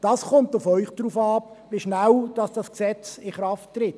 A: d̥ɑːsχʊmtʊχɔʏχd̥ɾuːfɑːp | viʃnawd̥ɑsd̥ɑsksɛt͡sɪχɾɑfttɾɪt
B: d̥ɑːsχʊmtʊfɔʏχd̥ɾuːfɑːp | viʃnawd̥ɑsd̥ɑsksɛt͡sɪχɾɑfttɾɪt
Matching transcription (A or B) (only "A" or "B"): B